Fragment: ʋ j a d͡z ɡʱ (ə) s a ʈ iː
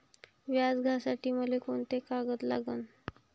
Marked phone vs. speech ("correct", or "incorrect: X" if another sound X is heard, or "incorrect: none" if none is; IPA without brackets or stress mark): incorrect: a